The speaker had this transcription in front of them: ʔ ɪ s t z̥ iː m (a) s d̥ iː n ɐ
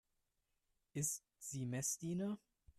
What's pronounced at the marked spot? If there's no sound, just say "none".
ɛ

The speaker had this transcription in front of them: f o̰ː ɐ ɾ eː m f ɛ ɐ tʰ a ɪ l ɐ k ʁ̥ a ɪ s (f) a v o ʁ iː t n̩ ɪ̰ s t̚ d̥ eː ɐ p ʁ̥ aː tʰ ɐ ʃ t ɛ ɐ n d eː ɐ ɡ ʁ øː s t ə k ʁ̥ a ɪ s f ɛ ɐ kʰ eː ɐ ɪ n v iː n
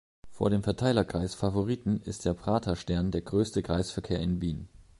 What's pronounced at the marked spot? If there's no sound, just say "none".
f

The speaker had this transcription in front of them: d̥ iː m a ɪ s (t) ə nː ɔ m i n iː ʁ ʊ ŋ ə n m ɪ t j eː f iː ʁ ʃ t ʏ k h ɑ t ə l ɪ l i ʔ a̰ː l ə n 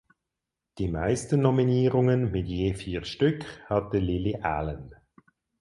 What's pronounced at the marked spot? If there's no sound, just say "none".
t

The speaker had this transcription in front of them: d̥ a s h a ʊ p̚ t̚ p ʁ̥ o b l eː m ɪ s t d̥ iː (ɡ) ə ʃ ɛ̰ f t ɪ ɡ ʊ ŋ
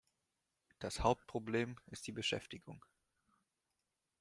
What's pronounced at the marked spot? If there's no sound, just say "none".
b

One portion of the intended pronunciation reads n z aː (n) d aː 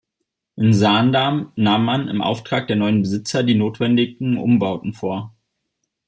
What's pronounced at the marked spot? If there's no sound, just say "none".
n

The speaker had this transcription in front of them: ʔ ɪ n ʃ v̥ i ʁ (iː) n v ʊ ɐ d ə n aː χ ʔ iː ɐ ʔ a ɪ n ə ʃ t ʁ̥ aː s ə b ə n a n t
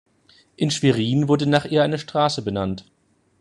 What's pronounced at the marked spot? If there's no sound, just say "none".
iː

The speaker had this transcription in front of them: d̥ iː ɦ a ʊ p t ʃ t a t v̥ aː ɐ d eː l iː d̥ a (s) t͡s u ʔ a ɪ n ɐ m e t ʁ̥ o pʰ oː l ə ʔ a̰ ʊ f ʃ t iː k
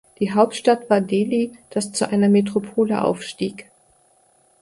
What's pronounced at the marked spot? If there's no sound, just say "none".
s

